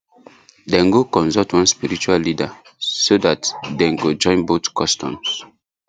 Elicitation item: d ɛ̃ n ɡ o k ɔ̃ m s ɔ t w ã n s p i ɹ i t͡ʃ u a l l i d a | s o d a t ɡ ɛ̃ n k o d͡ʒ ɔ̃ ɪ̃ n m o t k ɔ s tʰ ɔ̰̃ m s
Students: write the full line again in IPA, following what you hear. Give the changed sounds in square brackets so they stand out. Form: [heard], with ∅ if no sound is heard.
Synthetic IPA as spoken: d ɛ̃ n ɡ o k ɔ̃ [n] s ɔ t w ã n s p i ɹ i t͡ʃ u a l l i d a | s o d a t [d] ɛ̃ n [ɡ] o d͡ʒ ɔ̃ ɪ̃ n [b] o t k ɔ s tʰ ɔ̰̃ m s